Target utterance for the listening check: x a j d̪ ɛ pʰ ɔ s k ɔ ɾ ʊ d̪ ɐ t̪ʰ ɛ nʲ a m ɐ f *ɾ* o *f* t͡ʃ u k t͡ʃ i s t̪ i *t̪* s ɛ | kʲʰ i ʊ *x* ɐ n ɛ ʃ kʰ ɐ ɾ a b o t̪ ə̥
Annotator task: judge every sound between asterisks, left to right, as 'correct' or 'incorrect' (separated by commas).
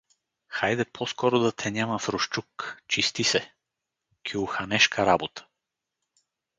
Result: correct, incorrect, incorrect, correct